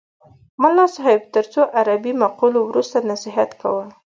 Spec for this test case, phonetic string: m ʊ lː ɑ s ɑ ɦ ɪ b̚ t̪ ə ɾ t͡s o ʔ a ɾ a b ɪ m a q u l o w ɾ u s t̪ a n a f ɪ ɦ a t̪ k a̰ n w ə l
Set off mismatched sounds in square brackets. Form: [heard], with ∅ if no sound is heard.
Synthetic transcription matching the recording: m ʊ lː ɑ s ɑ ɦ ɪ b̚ t̪ ə ɾ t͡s o ʔ a ɾ a b [i] m a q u l o w ɾ u s t̪ a n a [s] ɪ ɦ a t̪ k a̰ [∅] w ə l